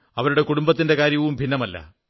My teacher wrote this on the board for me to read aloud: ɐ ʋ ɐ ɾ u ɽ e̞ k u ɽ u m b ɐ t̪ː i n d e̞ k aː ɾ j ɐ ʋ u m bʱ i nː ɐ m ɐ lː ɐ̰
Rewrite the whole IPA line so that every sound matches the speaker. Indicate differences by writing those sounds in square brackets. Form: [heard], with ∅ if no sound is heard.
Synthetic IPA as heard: ɐ ʋ ɐ ɾ u ɽ e̞ k u ɽ u m b ɐ t̪ː i n d e̞ k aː ɾ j ɐ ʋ u m bʱ i nː ɐ m ɐ lː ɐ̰